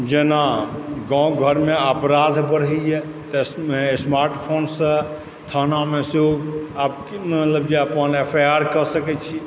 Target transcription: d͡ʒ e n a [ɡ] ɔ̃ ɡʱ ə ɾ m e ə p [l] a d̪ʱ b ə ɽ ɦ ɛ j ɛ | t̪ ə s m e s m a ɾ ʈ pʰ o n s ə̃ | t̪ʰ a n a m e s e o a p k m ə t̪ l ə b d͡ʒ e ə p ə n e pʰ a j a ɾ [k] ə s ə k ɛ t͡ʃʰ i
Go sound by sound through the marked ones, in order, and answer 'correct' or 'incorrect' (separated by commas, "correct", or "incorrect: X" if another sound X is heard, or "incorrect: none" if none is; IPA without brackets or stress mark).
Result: correct, incorrect: ɾ, correct